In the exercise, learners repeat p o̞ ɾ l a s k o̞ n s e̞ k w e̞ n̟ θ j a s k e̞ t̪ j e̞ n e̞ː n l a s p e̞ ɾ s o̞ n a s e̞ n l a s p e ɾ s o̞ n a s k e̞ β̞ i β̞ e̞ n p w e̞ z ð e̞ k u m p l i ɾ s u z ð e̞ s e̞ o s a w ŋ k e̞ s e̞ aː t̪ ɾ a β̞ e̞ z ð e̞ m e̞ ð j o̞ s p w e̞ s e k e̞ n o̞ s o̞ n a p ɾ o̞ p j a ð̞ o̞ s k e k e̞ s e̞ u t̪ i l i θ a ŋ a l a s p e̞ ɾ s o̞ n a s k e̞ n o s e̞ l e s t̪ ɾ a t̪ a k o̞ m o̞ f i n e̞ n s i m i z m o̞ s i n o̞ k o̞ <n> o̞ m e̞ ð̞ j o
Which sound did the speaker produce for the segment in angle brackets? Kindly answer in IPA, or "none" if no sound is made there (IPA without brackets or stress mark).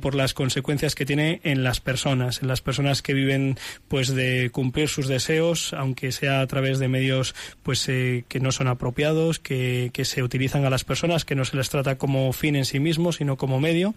m